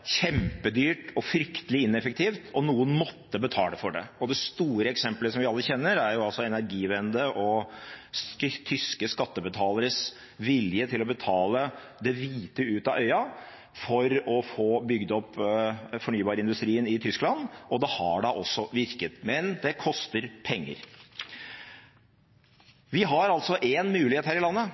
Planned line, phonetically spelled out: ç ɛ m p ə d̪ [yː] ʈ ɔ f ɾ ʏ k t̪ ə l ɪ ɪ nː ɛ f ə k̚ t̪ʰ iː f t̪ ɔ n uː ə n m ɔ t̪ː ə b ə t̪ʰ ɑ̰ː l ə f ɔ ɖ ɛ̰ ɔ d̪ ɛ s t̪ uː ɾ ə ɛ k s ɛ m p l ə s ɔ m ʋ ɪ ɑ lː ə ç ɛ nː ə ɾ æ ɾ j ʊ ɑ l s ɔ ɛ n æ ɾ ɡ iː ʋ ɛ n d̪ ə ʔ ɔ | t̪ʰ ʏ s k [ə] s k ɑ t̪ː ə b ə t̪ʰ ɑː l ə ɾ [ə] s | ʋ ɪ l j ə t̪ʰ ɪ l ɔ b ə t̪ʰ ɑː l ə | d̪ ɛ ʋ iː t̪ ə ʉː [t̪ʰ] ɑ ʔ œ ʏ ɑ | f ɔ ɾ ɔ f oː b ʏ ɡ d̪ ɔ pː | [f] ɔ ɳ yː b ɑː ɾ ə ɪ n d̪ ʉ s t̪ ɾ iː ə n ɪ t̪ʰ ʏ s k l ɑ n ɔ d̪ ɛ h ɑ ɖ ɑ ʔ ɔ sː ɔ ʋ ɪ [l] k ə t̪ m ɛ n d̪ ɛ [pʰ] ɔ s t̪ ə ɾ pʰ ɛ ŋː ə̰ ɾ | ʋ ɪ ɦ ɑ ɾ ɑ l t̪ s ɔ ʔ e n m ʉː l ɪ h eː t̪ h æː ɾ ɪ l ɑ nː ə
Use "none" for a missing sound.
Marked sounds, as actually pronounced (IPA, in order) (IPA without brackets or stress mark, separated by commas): yː, ə, ə, t̪, f, ɾ, kʰ